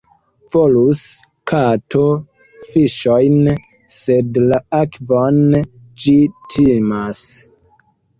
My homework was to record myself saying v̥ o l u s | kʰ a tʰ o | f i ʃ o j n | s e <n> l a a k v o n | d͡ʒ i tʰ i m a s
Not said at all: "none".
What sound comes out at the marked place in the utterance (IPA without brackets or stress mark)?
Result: d